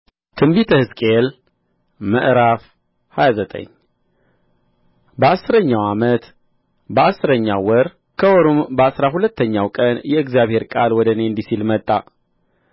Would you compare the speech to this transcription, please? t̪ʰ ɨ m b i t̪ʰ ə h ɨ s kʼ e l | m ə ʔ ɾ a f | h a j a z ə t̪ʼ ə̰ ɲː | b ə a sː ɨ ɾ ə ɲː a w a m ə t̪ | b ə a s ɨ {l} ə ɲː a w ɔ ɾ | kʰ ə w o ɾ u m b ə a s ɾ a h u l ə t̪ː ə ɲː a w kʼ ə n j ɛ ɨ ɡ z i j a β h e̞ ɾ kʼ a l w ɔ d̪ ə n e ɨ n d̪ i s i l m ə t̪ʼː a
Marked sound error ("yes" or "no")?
yes